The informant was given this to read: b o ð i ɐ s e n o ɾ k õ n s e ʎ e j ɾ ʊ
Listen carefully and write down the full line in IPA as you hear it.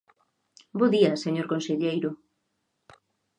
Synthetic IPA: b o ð i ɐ s e ɲ o ɾ k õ n s e ʎ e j ɾ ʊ